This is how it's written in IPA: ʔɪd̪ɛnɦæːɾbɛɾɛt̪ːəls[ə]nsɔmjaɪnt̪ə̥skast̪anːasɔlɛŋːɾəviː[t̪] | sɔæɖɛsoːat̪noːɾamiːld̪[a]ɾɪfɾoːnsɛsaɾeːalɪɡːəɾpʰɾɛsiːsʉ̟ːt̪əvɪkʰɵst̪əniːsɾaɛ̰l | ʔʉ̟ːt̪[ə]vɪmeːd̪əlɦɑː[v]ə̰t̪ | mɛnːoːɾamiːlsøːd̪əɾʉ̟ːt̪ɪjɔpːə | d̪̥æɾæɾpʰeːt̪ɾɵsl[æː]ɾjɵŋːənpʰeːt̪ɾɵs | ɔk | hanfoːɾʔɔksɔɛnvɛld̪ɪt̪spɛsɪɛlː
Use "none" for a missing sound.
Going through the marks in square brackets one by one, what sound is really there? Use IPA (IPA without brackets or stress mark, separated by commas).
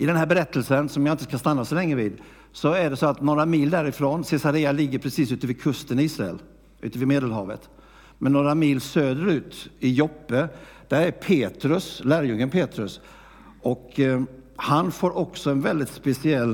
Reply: ə, d̪, æ, ə, v, æː